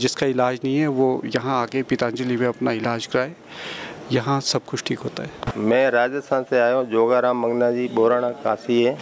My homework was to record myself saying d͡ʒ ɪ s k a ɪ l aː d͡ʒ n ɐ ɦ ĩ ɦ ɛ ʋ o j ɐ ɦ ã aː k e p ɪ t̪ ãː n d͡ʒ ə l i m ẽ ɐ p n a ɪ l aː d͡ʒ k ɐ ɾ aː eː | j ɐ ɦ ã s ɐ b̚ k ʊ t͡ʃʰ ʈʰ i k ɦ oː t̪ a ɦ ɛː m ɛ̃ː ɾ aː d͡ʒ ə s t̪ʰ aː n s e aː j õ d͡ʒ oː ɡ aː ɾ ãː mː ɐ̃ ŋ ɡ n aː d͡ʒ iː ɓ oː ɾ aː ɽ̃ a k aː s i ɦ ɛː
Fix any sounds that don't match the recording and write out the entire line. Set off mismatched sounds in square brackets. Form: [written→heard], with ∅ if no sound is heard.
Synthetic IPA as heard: d͡ʒ ɪ s k a ɪ l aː d͡ʒ n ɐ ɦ ĩ ɦ ɛ ʋ o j ɐ ɦ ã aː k e p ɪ t̪ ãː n d͡ʒ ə l i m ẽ ɐ p n a ɪ l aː d͡ʒ k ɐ ɾ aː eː | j ɐ ɦ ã s ɐ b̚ k ʊ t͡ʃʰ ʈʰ [i→iː] k ɦ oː t̪ a ɦ ɛː m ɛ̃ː ɾ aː d͡ʒ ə s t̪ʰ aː n s e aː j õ d͡ʒ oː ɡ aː ɾ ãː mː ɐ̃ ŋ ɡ n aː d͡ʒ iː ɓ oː ɾ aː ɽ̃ a k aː s i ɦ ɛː